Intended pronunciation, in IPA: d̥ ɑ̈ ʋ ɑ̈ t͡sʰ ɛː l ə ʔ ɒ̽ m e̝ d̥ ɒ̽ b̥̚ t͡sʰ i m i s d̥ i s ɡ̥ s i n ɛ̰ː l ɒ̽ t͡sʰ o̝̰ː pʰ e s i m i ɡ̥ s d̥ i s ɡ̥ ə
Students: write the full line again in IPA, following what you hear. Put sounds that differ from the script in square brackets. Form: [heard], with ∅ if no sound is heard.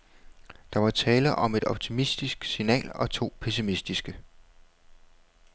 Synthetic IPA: d̥ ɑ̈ ʋ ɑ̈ t͡sʰ ɛː l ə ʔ ɒ̽ m e̝ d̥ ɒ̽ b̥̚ t͡sʰ i m i s d̥ i s ɡ̥ s i n ɛ̰ː l ɒ̽ t͡sʰ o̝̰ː pʰ e s i m i [∅] s d̥ i s ɡ̥ ə

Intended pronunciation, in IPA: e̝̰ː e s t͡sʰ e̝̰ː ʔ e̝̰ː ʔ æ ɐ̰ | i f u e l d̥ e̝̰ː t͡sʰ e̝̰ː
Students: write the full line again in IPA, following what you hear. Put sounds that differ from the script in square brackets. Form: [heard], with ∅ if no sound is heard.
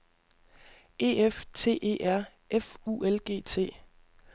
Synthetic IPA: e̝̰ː e [f] t͡sʰ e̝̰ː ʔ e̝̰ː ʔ æ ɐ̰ | [e] f u e l [ɡ̥] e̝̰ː t͡sʰ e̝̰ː

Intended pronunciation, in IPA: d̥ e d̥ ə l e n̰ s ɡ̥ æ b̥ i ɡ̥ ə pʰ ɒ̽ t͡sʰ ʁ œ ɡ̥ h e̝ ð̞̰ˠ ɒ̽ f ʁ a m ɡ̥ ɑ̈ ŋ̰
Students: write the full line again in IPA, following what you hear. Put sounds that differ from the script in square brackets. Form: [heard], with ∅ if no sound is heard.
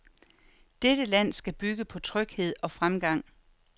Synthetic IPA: d̥ e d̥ ə l [æ] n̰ s ɡ̥ æ b̥ [y] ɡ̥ ə pʰ ɒ̽ t͡sʰ ʁ œ ɡ̥ h e̝ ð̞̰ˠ ɒ̽ f ʁ a m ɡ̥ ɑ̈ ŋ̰

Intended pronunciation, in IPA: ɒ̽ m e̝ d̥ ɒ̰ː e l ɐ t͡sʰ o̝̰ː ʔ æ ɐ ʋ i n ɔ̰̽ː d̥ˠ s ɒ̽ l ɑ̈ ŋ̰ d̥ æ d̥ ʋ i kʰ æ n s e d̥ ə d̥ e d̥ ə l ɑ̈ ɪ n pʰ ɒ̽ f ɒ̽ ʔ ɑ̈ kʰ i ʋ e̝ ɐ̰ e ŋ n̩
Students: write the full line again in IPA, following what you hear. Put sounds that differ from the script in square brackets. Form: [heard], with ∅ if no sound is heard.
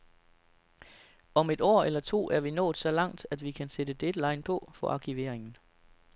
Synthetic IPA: ɒ̽ m e̝ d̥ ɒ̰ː e l ɐ t͡sʰ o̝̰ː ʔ æ ɐ ʋ i n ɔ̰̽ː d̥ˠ s ɒ̽ l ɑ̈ ŋ̰ d̥ æ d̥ ʋ i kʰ æ n s e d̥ ə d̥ e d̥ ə l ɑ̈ ɪ n pʰ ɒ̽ f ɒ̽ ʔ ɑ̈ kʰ i ʋ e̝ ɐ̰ e ŋ n̩

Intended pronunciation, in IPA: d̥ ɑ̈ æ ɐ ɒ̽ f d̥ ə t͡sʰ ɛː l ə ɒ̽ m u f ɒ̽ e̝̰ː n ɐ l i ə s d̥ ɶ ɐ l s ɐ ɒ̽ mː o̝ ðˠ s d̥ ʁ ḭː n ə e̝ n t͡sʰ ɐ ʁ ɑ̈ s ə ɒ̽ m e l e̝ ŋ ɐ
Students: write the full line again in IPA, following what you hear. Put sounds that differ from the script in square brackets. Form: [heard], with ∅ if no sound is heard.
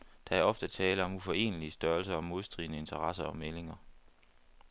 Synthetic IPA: d̥ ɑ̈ æ ɐ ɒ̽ f d̥ ə t͡sʰ ɛː l ə ɒ̽ m u f ɒ̽ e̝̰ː n [ə] l i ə s d̥ ɶ ɐ l s ɐ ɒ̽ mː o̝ ðˠ s d̥ ʁ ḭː n ə e̝ n t͡sʰ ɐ ʁ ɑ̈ s [ɐ] ɒ̽ m e l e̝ ŋ ɐ

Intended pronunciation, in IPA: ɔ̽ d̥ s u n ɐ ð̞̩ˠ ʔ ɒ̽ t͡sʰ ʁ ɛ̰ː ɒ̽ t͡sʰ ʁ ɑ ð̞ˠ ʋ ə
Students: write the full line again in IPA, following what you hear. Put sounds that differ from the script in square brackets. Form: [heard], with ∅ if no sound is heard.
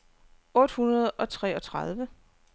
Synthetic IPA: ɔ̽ d̥ [h] u n ɐ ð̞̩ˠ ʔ ɒ̽ t͡sʰ ʁ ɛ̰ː ɒ̽ t͡sʰ ʁ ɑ ð̞ˠ ʋ ə

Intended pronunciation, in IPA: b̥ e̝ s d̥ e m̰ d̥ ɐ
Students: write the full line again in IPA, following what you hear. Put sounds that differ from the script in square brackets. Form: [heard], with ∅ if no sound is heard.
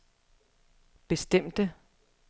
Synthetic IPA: b̥ e̝ s d̥ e m̰ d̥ [ə]

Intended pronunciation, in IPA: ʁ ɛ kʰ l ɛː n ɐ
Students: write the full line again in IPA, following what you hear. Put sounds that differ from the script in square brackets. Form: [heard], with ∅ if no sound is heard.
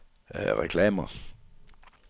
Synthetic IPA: ʁ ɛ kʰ l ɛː [m] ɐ

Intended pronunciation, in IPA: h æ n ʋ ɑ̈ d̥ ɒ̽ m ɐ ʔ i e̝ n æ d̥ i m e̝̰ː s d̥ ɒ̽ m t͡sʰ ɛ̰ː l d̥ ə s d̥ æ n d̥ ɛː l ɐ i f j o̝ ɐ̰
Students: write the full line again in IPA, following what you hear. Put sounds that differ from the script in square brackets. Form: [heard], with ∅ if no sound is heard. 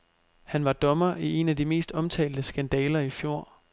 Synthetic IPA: h æ n ʋ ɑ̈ d̥ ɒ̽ m ɐ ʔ i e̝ n æ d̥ i m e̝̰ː s d̥ ɒ̽ m t͡sʰ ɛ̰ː l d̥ ə s [ɡ̥] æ n d̥ ɛː l ɐ i f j o̝ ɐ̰

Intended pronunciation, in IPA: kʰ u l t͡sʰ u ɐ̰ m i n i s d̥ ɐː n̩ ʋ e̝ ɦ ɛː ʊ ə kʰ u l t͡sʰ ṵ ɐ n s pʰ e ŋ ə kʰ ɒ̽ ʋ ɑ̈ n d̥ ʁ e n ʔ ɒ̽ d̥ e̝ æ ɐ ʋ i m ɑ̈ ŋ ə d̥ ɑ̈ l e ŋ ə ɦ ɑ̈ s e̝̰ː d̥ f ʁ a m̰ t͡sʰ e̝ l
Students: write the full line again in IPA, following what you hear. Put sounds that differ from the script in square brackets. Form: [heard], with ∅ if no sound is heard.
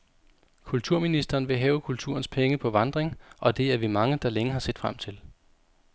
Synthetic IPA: kʰ u l t͡sʰ u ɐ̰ m i n i s d̥ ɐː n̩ ʋ e̝ ɦ ɛː ʊ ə kʰ u l t͡sʰ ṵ ɐ n s pʰ e ŋ ə [pʰ] ɒ̽ ʋ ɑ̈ n d̥ ʁ e [ŋ] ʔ ɒ̽ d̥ e̝ æ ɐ ʋ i m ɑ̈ ŋ ə d̥ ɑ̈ l e ŋ ə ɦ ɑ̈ s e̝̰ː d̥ f ʁ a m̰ t͡sʰ e̝ l

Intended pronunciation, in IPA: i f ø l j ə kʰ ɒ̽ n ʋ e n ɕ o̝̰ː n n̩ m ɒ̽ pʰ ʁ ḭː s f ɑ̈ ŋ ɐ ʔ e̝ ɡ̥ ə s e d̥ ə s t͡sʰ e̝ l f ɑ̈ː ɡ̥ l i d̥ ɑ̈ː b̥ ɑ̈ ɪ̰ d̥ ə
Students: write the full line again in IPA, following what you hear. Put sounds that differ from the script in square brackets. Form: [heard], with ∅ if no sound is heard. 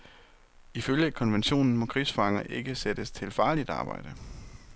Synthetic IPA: i f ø l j ə kʰ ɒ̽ n ʋ e n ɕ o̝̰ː n n̩ m ɒ̽ [kʰ] ʁ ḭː s f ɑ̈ ŋ ɐ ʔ e̝ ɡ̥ ə s e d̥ ə s t͡sʰ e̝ l f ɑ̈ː [∅] l i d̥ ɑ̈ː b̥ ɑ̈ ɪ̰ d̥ ə

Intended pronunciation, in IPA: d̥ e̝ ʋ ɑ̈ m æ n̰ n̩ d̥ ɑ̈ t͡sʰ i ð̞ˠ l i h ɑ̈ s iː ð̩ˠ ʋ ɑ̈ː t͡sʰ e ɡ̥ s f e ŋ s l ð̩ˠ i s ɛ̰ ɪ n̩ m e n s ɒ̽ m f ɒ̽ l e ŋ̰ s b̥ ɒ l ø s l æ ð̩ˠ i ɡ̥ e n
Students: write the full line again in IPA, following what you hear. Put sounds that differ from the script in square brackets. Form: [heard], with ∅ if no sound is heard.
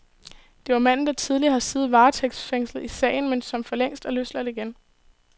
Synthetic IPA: d̥ e̝ ʋ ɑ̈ m æ n̰ n̩ d̥ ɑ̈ t͡sʰ i ð̞ˠ l i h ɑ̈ s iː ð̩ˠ ʋ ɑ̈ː t͡sʰ e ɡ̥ s f e ŋ s l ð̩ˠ i s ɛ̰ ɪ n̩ m e n s ɒ̽ m f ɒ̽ l e ŋ̰ s [d̥] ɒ l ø s l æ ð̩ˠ i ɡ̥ e n

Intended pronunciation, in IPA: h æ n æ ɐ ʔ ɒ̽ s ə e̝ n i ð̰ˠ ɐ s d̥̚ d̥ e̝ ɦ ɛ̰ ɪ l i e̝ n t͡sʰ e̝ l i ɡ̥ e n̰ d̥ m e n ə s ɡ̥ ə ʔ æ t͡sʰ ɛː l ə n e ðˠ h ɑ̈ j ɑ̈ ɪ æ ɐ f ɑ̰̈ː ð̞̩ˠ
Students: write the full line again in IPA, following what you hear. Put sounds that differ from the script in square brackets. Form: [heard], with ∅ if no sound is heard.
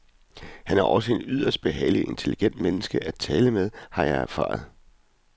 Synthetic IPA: h æ n æ ɐ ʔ ɒ̽ s ə e̝ n [y] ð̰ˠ ɐ s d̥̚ [b̥] e̝ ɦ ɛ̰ ɪ l i e̝ n t͡sʰ e̝ l i ɡ̥ e n̰ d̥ m e n ə s ɡ̥ ə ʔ æ t͡sʰ ɛː l ə [m] e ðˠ h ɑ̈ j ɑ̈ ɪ æ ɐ f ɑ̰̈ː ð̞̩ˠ

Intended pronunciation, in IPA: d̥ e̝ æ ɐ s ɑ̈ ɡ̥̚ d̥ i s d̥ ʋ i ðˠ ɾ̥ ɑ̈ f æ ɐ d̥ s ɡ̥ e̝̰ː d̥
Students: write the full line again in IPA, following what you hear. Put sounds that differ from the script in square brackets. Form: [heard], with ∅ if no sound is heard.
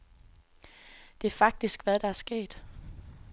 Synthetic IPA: d̥ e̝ æ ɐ [f] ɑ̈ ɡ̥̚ d̥ i s [ɡ̥] ʋ [æ] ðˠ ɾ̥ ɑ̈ [∅] æ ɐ [∅] s ɡ̥ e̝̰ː d̥

